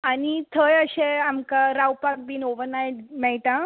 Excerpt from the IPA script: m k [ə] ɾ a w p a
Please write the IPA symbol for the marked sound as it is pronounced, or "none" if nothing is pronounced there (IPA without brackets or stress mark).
a